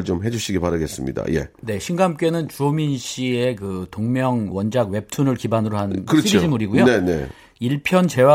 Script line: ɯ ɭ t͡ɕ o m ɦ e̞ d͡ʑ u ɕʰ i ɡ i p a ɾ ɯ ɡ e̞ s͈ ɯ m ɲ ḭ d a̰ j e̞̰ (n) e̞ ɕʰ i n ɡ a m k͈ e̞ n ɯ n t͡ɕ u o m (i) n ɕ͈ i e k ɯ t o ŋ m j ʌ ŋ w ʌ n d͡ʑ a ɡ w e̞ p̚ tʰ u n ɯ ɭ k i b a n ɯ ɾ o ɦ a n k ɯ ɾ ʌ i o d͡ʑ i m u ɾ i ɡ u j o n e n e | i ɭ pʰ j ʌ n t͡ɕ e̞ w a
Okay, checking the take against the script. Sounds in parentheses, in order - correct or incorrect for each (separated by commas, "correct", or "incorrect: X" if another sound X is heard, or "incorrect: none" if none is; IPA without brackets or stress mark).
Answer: correct, correct